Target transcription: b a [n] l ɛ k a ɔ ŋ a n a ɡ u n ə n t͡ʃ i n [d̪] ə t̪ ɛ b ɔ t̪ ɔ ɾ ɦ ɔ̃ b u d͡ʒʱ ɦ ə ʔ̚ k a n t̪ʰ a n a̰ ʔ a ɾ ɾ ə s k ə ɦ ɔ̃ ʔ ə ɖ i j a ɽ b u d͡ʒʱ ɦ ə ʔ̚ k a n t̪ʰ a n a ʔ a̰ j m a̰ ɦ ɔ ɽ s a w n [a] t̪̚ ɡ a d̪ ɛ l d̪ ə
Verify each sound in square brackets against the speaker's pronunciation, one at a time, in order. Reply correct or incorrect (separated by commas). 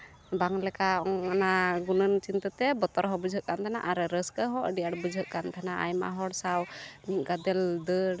incorrect, incorrect, incorrect